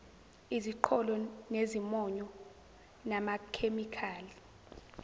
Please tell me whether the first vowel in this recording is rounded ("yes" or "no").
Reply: no